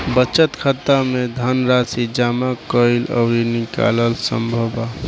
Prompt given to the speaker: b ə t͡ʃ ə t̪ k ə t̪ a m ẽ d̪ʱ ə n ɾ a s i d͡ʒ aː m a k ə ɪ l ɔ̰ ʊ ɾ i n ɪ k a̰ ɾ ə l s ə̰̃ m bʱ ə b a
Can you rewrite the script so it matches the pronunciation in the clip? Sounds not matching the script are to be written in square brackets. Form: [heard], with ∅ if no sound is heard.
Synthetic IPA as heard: b ə t͡ʃ ə t̪ [kʰ] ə t̪ a m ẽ d̪ʱ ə n ɾ a s i d͡ʒ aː m a k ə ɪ l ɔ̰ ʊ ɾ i n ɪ k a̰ [l] ə l s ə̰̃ m bʱ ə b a